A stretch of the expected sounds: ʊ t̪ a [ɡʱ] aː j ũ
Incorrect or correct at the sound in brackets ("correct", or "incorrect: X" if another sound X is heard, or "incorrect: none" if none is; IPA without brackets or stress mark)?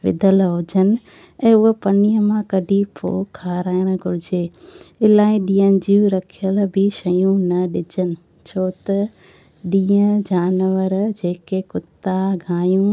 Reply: correct